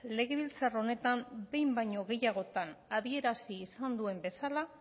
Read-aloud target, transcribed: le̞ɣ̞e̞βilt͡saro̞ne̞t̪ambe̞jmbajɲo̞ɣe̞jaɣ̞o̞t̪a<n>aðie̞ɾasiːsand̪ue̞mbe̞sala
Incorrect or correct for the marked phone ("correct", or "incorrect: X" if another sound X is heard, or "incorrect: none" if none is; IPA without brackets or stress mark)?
correct